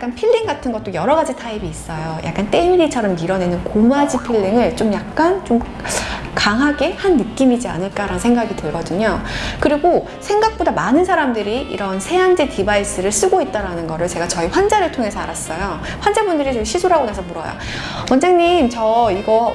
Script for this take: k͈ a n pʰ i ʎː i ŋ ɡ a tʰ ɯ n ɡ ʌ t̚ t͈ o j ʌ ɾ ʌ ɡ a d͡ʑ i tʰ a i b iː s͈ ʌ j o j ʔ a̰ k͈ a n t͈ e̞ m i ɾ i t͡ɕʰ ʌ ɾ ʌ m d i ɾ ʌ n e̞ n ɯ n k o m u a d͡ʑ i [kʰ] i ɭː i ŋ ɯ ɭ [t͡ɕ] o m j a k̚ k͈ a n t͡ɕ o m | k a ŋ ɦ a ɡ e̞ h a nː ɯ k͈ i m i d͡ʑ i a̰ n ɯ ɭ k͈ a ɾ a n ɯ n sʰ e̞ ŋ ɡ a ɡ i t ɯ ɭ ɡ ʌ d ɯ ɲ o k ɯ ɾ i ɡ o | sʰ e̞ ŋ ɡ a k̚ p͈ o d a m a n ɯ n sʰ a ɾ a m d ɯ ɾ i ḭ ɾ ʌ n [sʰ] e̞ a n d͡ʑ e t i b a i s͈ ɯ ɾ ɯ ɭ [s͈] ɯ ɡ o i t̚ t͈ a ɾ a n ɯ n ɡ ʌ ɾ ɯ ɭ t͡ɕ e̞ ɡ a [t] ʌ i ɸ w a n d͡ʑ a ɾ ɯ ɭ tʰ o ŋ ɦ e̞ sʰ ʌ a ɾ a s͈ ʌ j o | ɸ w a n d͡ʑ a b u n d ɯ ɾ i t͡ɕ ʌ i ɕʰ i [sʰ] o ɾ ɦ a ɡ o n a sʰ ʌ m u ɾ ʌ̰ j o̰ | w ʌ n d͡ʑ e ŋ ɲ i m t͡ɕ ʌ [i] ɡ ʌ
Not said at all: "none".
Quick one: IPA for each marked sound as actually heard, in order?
pʰ, t͡ɕ, sʰ, s͈, t͡ɕ, sʰ, i

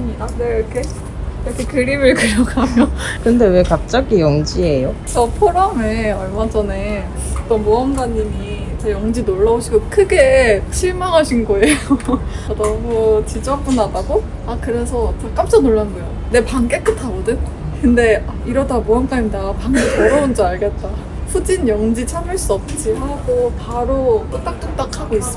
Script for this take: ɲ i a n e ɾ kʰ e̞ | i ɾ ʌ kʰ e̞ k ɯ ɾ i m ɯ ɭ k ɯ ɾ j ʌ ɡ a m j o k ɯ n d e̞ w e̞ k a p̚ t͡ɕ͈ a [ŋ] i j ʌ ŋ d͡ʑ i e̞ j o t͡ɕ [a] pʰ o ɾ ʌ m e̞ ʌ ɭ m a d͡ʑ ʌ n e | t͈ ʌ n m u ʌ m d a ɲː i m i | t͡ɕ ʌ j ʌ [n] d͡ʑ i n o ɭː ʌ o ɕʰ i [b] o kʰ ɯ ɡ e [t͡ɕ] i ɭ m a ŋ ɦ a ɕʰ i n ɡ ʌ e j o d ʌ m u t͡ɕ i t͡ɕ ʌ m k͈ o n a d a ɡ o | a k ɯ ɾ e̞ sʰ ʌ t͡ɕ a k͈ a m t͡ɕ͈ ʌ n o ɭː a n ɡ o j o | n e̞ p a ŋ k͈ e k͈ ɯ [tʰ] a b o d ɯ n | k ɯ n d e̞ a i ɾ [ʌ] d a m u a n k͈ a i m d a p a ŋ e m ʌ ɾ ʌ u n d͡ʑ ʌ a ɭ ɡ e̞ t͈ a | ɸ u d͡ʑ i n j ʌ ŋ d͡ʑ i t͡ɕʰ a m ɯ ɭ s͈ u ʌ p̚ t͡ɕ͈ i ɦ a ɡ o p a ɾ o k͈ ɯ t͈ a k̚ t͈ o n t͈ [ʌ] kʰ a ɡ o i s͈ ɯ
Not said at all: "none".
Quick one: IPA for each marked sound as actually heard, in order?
ɡ, ʌ, ŋ, ɡ, t͡ɕʰ, tʰ, ʌ, a

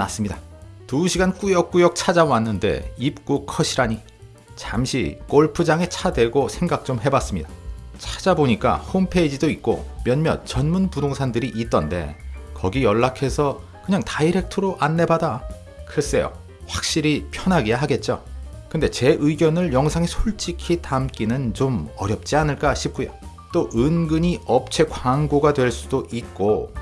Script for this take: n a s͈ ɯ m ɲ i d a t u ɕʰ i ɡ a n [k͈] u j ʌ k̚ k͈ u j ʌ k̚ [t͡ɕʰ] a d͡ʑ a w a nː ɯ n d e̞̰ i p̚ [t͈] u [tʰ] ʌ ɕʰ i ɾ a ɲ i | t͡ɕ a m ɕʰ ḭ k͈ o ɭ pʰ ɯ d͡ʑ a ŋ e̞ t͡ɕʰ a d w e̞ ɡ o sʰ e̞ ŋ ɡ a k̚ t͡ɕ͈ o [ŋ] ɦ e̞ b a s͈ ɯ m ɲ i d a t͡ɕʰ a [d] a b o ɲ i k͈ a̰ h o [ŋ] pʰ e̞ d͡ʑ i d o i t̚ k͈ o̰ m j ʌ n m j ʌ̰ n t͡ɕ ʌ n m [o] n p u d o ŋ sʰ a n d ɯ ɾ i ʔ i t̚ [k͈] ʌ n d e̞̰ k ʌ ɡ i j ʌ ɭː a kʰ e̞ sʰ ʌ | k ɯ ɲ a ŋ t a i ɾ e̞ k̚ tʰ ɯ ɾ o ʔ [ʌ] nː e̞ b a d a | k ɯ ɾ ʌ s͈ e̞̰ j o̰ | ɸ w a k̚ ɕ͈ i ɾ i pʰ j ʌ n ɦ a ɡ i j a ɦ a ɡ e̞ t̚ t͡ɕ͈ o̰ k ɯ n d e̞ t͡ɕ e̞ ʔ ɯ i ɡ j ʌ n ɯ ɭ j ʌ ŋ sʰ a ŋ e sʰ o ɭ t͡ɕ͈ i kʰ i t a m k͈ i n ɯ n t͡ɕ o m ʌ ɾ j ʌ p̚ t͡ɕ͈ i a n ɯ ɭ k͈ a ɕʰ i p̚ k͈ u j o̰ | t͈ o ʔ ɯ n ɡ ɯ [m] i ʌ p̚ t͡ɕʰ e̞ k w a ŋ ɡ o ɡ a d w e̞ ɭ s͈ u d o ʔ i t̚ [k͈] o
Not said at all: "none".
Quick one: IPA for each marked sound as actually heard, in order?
k͈, t͡ɕʰ, k͈, kʰ, m, d͡ʑ, m, u, t͈, a, ɲ, k͈

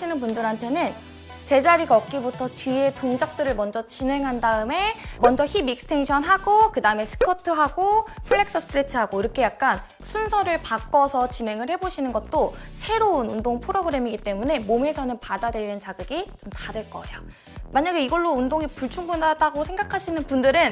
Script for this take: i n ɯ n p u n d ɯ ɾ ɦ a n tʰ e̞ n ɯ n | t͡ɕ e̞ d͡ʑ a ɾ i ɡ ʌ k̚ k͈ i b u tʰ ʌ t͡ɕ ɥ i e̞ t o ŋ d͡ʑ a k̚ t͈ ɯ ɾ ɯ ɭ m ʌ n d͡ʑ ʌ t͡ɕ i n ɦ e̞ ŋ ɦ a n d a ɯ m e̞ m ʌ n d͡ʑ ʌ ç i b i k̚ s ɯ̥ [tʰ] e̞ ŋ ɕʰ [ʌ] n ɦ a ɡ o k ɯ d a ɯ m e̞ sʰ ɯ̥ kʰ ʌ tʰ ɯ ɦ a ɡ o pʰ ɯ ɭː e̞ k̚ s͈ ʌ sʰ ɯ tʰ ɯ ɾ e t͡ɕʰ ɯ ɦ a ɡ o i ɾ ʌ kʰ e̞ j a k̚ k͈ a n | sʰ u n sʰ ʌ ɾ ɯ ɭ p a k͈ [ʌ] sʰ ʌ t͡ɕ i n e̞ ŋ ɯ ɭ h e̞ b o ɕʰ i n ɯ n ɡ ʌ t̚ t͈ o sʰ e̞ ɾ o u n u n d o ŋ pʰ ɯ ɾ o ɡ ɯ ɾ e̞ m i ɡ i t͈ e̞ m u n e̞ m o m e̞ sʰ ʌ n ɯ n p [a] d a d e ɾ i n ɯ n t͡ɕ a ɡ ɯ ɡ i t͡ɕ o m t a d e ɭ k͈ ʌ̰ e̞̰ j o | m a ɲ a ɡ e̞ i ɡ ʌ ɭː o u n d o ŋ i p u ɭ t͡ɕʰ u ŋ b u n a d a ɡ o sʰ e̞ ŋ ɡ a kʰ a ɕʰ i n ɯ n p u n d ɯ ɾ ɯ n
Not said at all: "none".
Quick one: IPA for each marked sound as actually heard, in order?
tʰ, ʌ, ʌ, a

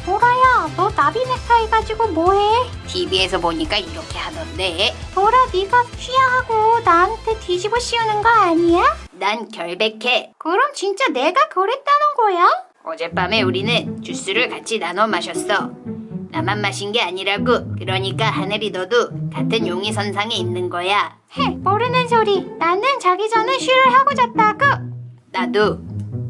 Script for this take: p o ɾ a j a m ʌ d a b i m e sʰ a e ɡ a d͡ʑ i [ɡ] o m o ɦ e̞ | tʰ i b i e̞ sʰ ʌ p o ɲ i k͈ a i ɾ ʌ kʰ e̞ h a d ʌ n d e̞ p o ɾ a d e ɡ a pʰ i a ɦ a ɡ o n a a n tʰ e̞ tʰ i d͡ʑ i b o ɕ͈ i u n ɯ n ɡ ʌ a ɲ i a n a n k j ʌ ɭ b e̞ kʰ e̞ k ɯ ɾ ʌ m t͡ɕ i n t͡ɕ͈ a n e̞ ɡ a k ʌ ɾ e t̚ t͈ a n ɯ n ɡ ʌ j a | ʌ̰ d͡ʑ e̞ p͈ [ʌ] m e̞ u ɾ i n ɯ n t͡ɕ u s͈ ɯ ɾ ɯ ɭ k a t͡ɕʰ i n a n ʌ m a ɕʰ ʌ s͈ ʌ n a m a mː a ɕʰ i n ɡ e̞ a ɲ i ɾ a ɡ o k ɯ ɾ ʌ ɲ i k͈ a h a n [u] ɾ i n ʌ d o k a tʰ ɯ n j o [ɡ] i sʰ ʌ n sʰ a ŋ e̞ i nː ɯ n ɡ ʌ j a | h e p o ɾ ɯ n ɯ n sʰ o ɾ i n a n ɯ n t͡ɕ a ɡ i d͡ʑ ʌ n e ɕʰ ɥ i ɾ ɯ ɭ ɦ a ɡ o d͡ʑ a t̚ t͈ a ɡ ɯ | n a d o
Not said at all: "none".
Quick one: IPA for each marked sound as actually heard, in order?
ɡ, a, ɯ, ŋ

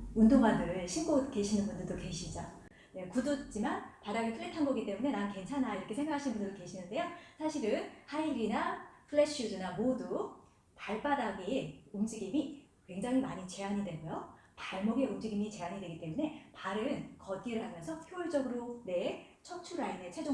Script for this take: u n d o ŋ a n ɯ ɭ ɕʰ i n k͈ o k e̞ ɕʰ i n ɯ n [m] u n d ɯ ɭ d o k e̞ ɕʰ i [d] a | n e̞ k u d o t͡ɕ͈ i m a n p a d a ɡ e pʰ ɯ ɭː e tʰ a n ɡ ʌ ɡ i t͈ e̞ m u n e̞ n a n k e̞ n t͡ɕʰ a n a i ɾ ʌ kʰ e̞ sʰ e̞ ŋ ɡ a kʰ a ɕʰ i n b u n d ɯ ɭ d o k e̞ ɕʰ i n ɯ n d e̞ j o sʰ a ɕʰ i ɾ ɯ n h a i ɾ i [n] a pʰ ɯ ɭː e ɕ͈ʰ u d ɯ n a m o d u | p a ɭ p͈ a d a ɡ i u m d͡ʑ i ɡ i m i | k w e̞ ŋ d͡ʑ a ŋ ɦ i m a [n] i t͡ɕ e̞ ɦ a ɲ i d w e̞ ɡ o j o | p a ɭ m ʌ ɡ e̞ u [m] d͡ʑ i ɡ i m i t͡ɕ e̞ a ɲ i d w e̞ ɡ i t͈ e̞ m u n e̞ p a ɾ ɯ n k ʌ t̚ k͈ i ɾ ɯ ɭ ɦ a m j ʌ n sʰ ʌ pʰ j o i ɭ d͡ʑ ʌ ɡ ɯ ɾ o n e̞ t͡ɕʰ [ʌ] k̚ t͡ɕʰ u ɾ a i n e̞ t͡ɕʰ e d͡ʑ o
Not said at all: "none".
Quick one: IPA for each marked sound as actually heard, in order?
b, d͡ʑ, n, ɲ, m, ʌ

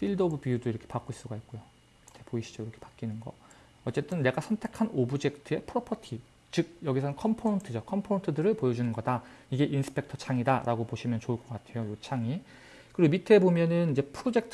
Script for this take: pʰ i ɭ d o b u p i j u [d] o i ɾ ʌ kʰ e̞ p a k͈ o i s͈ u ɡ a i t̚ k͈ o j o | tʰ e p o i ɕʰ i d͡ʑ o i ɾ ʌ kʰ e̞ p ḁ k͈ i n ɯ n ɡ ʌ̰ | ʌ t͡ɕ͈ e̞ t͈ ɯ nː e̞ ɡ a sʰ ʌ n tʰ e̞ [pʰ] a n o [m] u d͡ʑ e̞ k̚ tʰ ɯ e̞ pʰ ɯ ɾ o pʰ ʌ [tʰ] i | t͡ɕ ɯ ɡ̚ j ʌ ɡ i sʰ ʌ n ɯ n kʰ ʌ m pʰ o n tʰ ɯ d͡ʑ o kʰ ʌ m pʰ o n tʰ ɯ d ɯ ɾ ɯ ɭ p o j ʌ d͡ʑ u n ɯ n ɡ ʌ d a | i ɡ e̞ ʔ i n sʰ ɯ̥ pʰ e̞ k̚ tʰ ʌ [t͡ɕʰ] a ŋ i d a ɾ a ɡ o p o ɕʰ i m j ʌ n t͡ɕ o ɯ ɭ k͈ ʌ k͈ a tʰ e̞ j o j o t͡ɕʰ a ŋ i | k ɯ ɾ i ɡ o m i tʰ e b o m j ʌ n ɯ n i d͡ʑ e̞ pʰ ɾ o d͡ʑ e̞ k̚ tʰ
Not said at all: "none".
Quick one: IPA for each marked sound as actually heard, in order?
d, kʰ, b, tʰ, t͡ɕʰ

